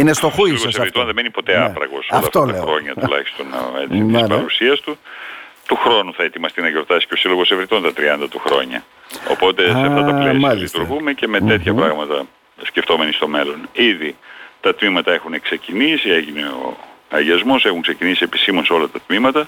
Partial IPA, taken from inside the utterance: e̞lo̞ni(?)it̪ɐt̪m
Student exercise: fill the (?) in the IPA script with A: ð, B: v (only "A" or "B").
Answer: A